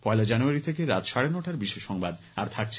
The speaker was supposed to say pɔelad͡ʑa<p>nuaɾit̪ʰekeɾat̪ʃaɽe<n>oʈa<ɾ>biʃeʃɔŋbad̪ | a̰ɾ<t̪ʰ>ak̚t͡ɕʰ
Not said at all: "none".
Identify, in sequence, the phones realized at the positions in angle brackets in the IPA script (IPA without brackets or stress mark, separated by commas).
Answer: none, n, ɾ, t̪ʰ